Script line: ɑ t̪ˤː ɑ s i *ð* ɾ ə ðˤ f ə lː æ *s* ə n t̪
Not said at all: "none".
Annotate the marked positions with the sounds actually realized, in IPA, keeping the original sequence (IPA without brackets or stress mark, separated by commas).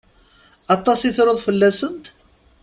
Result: θ, s